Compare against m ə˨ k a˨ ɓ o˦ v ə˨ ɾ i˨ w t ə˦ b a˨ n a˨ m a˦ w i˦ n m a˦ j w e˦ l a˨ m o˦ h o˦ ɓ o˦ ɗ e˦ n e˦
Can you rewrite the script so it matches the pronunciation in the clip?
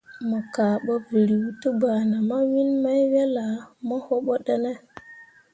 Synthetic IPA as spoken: m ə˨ k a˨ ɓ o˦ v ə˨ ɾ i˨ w t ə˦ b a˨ n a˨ m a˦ w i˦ n m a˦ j w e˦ l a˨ m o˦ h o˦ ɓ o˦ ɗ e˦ n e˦